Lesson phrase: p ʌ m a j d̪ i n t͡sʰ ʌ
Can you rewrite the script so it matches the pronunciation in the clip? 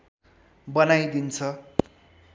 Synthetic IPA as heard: b ʌ n a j d̪ i n t͡sʰ ʌ